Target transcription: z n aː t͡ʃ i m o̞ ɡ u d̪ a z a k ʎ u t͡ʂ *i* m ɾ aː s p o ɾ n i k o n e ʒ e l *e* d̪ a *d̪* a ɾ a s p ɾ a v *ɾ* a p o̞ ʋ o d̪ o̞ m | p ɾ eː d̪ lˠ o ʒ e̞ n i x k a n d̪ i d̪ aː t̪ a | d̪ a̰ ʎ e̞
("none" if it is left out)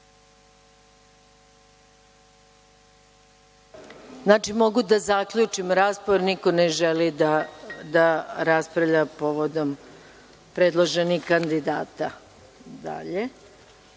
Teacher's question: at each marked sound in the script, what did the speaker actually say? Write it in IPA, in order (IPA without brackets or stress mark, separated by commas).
i, i, d̪, ʎ